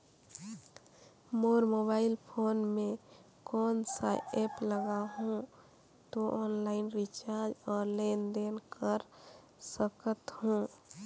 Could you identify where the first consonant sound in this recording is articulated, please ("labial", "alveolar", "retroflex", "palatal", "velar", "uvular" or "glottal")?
labial